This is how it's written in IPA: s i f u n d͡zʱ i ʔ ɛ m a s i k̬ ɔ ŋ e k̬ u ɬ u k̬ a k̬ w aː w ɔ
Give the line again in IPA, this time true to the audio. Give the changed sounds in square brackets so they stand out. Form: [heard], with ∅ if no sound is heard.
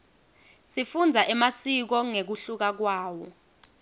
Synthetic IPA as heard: s i f u n d͡zʱ [a] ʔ ɛ m a s i k̬ ɔ ŋ e k̬ u ɬ u k̬ a k̬ w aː w ɔ